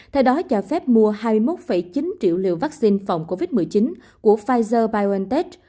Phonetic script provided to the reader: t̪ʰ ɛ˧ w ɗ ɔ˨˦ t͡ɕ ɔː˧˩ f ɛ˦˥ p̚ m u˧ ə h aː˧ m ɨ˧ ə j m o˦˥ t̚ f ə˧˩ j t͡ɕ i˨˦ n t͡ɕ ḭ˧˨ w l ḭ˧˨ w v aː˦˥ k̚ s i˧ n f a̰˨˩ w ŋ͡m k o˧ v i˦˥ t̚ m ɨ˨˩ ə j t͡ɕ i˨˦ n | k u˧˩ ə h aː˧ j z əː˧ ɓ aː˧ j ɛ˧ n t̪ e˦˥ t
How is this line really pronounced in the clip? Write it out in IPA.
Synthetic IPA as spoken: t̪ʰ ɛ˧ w ɗ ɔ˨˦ t͡ɕ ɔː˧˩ f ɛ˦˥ p̚ m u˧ ə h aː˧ m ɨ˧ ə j m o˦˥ t̚ f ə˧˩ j t͡ɕ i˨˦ n t͡ɕ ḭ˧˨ w l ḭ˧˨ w v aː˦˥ k̚ s i˧ n f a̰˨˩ w ŋ͡m k o˧ v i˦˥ t̚ m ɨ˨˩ ə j t͡ɕ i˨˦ n | k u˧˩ ə f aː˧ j z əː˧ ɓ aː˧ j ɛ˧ n t̪ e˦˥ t

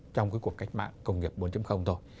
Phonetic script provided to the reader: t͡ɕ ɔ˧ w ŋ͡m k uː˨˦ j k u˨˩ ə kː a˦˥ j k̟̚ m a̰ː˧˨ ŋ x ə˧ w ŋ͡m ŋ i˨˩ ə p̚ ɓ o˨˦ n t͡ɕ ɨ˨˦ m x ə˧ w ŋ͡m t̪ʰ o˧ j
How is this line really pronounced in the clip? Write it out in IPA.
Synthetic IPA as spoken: t͡ɕ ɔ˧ w ŋ͡m k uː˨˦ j k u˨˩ ə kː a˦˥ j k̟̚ m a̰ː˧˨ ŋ k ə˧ w ŋ͡m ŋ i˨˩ ə p̚ ɓ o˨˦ n t͡ɕ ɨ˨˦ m x ə˧ w ŋ͡m t̪ʰ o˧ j

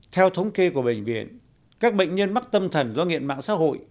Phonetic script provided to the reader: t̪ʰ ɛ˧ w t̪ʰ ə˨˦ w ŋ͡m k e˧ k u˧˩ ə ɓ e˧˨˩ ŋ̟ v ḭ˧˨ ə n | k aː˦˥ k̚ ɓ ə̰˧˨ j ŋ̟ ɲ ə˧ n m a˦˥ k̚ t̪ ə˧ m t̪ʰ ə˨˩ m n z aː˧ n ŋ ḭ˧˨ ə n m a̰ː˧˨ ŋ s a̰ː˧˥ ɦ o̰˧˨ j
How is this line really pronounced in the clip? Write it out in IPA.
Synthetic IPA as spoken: t̪ʰ ɛ˧ w t̪ʰ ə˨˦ w ŋ͡m k e˧ k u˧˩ ə ɓ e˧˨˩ ŋ̟ v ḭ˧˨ ə n | k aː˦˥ k̚ ɓ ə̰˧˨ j ŋ̟ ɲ ə˧ n m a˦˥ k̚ t̪ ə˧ m t̪ʰ ə˨˩ n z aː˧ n ŋ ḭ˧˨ ə n m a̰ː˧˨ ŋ s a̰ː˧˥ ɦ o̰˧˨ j

